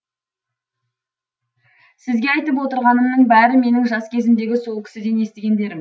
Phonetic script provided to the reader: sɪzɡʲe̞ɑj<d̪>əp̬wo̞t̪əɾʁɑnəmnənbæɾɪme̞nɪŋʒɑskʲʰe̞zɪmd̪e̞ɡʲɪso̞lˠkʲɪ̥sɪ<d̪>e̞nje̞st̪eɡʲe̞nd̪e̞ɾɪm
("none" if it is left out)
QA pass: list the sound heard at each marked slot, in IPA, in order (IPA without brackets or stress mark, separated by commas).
t̪, d̪